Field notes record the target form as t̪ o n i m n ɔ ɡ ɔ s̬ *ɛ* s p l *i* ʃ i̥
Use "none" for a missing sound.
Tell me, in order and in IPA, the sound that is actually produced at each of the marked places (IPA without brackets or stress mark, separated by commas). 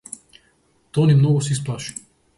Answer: i, a